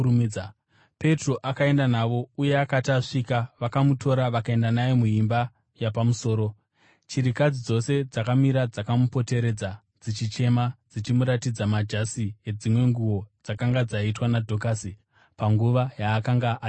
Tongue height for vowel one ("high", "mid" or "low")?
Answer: mid